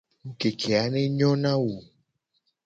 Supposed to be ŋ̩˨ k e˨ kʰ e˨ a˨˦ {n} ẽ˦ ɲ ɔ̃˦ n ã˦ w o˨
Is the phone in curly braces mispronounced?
no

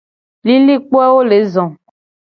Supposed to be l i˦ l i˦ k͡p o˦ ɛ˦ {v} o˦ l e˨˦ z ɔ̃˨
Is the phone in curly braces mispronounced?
yes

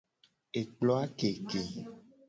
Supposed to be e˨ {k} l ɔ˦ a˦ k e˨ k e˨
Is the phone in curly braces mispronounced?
yes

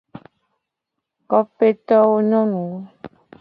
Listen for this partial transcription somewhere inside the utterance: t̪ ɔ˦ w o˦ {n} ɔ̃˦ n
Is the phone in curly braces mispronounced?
yes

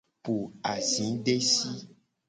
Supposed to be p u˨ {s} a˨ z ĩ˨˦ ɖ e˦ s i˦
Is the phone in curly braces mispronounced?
yes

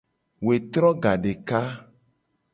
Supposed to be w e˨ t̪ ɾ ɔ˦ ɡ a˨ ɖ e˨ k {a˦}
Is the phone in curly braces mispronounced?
no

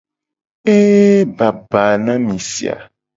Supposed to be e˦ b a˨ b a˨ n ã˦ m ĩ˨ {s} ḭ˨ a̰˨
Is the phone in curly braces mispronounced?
no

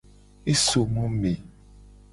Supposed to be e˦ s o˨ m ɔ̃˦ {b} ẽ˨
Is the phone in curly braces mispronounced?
yes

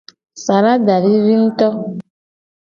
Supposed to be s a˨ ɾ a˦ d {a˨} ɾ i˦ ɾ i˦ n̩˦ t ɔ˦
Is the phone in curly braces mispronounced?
no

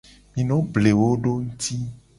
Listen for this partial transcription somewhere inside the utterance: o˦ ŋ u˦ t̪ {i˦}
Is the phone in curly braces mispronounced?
no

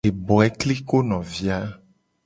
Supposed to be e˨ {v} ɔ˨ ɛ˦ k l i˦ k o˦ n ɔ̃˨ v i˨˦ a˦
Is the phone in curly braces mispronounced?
yes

